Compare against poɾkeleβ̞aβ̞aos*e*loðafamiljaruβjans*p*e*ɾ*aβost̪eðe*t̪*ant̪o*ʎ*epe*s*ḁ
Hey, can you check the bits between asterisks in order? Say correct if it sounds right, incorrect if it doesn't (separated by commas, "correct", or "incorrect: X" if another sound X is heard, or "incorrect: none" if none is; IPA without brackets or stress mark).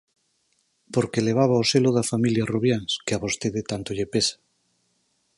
correct, incorrect: k, incorrect: none, correct, correct, correct